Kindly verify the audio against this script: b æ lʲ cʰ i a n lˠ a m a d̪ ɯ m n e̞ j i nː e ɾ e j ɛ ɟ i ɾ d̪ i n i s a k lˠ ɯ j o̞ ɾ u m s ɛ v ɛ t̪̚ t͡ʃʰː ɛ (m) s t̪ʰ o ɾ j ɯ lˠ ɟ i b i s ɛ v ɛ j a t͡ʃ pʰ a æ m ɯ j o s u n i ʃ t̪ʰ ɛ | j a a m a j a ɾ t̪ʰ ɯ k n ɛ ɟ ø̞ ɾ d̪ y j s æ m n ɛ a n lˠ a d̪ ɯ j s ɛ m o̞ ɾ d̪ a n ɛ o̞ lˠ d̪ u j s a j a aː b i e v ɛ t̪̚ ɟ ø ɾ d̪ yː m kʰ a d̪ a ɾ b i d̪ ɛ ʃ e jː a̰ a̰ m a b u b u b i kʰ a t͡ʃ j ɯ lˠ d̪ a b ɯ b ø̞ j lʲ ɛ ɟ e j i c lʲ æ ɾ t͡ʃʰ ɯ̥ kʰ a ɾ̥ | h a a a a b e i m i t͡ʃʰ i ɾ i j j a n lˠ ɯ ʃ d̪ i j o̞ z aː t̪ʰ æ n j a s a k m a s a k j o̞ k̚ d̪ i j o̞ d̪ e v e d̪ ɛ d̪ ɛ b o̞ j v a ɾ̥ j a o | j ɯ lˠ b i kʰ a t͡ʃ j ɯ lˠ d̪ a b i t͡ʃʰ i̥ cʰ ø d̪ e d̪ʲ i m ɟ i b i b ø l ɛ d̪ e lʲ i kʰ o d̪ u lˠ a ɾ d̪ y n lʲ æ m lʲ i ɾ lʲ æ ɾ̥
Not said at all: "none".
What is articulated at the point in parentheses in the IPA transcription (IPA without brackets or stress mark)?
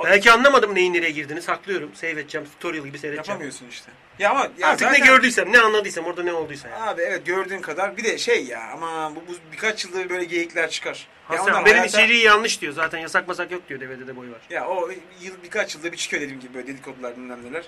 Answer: m